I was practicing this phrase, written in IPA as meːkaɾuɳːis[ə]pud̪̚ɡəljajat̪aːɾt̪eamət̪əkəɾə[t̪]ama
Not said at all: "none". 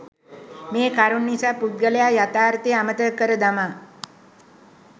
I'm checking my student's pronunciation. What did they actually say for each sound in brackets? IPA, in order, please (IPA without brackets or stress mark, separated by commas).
a, d̪